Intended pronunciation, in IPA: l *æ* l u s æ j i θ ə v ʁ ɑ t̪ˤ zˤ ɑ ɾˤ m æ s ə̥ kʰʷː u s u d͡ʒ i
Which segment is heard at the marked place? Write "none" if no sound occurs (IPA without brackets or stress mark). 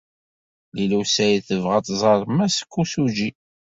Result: i